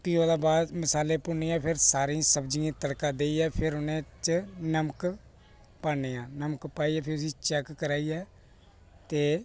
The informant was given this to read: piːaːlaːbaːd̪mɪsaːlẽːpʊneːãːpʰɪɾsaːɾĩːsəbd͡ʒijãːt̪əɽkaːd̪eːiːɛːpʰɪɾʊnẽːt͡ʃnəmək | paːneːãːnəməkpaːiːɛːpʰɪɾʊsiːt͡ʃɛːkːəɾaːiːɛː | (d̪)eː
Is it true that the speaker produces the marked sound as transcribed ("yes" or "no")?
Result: no